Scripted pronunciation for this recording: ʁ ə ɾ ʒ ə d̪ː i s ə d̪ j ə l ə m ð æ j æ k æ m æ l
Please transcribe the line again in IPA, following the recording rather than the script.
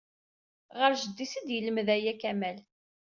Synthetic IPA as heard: ʁ ə ɾ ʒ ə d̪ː i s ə d̪ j ə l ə m ð æ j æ k æ m æ l